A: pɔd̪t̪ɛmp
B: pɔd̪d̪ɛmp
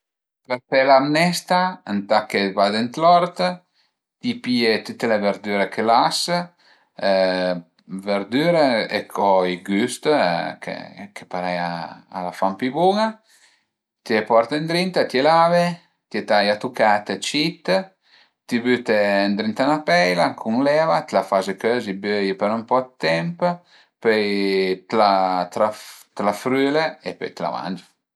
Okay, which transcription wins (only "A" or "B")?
A